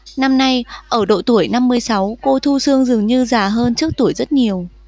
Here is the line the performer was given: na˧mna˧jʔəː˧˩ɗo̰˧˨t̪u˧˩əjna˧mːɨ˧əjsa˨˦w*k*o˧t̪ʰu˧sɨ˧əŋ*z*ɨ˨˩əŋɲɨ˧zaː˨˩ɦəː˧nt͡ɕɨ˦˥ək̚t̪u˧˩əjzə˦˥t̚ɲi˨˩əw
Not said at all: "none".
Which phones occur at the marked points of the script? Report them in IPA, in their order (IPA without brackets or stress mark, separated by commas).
k, z